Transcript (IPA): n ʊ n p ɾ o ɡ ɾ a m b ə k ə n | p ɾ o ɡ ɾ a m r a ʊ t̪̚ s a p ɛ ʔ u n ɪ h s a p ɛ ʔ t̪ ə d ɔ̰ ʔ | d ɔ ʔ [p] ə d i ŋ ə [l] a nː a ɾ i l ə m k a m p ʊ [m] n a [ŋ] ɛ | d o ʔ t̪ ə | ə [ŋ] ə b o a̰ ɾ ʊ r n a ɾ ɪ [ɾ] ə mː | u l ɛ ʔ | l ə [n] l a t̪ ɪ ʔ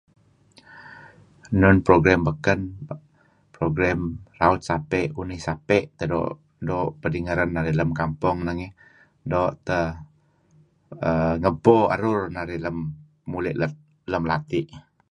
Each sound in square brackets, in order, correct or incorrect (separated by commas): correct, incorrect, incorrect, correct, correct, incorrect, incorrect